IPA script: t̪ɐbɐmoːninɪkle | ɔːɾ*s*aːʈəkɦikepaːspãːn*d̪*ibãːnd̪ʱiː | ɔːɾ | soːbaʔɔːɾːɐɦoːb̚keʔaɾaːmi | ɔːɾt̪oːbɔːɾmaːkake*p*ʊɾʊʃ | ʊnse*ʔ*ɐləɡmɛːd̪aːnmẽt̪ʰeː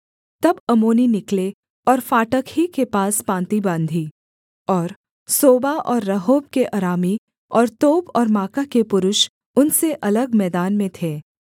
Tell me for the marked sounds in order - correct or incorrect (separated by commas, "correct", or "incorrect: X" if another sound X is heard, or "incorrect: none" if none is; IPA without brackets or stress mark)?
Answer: incorrect: f, incorrect: t̪, correct, correct